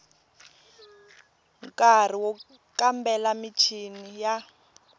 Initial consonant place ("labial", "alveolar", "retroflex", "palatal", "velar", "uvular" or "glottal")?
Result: velar